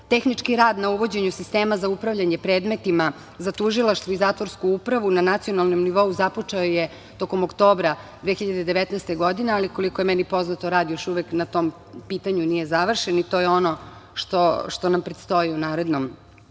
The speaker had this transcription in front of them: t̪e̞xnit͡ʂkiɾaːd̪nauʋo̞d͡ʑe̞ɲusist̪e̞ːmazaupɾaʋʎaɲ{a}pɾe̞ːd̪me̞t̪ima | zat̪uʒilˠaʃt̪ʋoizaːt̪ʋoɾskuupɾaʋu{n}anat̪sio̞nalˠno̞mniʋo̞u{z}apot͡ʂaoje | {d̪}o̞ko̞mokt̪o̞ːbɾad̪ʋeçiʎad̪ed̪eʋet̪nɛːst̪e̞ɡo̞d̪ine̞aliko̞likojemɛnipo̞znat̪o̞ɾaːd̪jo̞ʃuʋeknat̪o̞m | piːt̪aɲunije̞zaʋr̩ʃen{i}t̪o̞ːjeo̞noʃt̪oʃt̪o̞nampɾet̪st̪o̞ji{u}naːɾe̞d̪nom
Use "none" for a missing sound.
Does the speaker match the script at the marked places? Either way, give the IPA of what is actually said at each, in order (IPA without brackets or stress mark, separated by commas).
e, n, z, t̪, i, u